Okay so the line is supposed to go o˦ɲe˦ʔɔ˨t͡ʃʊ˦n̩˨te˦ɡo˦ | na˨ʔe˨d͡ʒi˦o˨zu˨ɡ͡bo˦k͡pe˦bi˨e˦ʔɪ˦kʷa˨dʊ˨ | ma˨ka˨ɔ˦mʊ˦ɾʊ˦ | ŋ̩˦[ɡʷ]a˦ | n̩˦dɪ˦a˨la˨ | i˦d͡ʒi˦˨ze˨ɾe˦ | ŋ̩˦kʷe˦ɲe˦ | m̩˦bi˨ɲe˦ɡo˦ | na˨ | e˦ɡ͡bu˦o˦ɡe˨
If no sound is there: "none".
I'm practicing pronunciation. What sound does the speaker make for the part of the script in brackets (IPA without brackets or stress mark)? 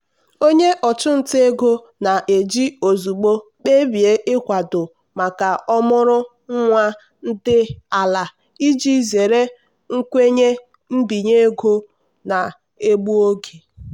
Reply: ŋʷ